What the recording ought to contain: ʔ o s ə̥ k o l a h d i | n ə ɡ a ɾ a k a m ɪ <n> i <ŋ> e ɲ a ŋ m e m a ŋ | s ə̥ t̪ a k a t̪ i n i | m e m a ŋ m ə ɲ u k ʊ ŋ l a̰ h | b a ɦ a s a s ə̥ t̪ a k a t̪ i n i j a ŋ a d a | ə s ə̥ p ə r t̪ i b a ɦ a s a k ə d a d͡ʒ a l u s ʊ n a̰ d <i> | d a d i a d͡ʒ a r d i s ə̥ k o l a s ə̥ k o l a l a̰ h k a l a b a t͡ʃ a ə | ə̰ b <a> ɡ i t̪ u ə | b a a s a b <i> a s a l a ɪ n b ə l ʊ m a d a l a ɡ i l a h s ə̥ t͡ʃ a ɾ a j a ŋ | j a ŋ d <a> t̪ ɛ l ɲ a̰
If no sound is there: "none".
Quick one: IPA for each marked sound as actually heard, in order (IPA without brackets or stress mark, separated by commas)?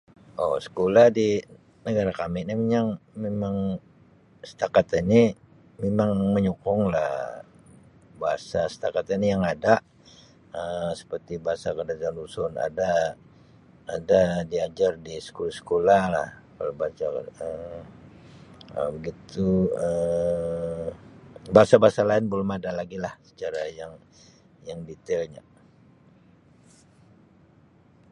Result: n, m, a, ə, a, i